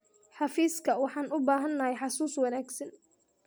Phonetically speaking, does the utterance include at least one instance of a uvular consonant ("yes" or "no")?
no